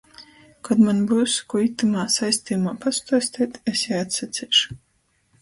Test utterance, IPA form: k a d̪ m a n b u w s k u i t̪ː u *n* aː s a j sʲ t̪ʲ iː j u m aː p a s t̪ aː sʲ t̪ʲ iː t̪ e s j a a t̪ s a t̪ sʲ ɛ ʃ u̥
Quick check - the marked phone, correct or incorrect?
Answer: incorrect